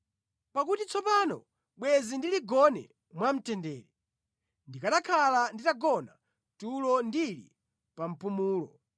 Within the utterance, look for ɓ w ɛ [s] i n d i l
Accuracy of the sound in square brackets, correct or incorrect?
incorrect